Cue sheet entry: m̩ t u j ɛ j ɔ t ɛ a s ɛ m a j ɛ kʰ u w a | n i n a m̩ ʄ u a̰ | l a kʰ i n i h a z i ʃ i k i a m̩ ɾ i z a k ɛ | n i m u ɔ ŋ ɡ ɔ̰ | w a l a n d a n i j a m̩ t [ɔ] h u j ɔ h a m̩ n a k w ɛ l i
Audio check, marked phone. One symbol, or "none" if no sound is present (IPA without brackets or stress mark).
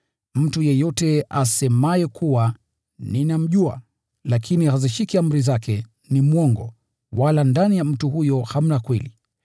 u